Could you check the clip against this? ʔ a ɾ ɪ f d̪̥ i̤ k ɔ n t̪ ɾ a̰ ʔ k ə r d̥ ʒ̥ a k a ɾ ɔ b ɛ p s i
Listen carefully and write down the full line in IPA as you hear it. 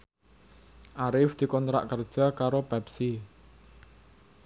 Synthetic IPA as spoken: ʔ a ɾ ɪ f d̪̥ i̤ k ɔ n t̪ ɾ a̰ ʔ k ə r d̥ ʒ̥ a k a ɾ o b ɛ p s i